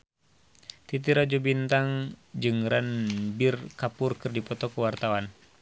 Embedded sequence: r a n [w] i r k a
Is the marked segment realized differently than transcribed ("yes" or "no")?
yes